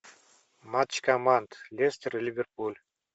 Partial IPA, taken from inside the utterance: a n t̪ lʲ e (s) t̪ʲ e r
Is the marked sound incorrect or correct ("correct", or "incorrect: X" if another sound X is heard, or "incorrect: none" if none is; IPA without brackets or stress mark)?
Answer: correct